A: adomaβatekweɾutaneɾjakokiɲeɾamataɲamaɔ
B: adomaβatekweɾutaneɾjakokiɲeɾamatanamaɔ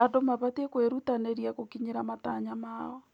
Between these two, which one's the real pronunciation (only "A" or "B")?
A